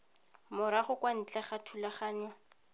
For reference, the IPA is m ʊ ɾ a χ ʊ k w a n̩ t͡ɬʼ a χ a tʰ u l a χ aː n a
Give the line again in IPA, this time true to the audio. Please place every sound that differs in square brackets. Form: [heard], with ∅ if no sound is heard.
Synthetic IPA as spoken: m ʊ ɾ a χ ʊ k w a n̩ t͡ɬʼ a χ a tʰ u l a χ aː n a